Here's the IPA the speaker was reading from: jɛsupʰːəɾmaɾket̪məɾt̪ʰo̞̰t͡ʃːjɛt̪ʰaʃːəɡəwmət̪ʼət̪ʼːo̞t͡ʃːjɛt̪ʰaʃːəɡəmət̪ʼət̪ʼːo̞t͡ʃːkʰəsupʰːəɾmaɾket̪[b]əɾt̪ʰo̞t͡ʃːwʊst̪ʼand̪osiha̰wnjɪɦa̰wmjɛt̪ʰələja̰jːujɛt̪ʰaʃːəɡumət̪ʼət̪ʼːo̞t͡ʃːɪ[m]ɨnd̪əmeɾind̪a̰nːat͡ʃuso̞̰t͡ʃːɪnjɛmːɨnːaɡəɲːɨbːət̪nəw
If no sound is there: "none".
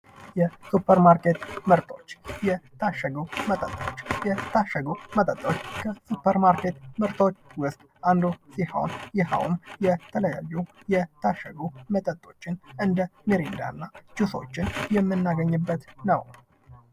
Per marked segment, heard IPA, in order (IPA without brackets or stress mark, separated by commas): m, n